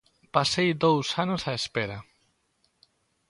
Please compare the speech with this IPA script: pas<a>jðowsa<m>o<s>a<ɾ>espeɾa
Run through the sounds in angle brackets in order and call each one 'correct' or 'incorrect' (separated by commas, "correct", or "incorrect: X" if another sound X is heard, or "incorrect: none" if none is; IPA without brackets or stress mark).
incorrect: e, incorrect: n, correct, incorrect: none